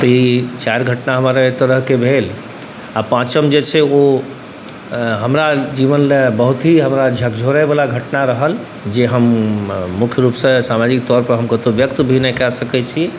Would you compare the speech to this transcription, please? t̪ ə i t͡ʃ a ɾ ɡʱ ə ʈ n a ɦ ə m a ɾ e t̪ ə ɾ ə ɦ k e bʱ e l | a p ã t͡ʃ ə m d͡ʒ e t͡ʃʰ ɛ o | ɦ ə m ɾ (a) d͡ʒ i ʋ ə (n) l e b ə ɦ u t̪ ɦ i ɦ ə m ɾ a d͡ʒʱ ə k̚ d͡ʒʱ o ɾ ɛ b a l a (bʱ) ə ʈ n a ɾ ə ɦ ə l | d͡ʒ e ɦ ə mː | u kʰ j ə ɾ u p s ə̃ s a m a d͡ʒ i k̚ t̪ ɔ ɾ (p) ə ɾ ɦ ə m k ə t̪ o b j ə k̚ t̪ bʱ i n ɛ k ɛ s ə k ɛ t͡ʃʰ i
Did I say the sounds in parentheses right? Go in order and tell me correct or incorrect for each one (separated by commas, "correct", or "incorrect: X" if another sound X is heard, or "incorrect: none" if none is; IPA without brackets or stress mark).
correct, correct, incorrect: ɡʱ, correct